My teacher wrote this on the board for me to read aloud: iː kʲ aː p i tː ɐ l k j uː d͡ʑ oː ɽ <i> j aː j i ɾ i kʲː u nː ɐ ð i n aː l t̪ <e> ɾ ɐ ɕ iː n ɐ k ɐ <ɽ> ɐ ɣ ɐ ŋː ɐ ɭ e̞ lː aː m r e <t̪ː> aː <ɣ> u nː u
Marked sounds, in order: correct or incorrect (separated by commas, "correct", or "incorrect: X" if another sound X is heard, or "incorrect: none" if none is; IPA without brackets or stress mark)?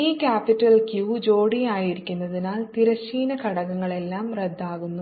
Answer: correct, incorrect: i, correct, incorrect: d̪ː, correct